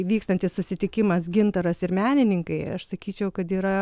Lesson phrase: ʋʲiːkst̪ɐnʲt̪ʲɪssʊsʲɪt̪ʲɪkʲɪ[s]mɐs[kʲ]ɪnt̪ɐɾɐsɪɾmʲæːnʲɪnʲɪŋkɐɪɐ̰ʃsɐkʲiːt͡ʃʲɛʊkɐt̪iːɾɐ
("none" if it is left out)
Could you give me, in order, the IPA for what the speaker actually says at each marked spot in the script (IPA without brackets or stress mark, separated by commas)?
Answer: none, ɡʲ